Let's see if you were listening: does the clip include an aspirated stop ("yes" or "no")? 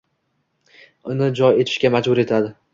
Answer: yes